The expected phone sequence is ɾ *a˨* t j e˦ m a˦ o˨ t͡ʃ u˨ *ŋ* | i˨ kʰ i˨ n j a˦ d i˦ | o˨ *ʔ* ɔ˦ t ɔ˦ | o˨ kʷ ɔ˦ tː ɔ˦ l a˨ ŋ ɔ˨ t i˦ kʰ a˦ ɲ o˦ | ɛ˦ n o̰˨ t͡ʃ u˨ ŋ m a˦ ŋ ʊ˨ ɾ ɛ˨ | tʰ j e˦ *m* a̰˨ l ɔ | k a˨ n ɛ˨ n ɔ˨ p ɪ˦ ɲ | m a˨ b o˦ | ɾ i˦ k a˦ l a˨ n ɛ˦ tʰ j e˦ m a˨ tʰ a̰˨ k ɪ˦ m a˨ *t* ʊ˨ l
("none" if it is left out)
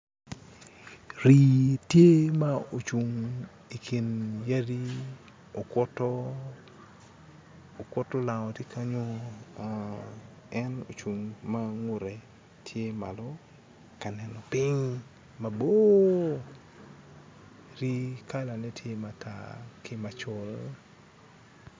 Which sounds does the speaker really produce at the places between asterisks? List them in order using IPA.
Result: i˨, ŋ, k, m, t͡ʃ

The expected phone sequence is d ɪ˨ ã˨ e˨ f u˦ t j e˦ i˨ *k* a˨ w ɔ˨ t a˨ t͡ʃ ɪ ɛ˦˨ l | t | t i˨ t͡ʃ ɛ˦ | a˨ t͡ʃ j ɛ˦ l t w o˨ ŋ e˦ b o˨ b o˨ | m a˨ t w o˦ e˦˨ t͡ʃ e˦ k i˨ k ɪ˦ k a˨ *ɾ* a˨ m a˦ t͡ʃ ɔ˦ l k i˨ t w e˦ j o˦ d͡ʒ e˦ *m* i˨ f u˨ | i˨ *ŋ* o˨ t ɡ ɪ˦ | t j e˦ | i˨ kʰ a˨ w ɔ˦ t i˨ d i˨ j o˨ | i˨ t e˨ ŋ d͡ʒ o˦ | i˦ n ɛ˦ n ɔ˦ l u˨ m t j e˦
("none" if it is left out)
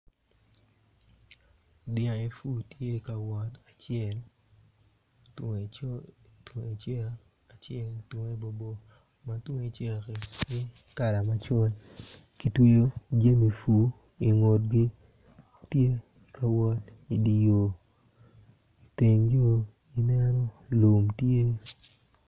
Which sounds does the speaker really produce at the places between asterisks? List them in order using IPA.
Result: k, l, m, ŋ

